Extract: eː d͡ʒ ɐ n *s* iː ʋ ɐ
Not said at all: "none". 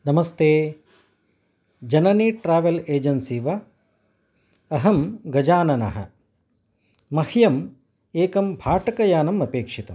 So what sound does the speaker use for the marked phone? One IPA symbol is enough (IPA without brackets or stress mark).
s